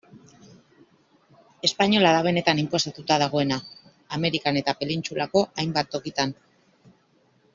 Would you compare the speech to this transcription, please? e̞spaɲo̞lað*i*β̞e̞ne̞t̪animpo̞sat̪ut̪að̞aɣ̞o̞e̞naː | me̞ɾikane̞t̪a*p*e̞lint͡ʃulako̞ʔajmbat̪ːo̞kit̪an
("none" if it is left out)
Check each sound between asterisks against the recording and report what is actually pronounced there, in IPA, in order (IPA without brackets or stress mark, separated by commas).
a, p